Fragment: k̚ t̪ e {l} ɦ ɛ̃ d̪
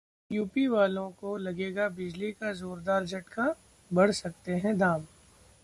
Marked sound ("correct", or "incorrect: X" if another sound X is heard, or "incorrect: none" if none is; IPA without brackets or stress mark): incorrect: none